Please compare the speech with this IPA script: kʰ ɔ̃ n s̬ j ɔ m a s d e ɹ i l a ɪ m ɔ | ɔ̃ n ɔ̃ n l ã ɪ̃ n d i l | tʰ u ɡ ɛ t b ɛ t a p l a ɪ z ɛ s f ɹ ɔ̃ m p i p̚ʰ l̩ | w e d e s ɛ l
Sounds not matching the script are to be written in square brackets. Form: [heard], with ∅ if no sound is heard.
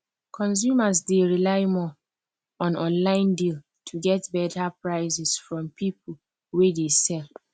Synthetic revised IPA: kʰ ɔ̃ n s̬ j [u] m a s d e ɹ i l a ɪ m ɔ | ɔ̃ n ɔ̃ n l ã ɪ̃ n d i l | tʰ u ɡ ɛ t b ɛ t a p [ɹ] a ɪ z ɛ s f ɹ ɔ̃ m p i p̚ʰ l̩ | w e d e s ɛ l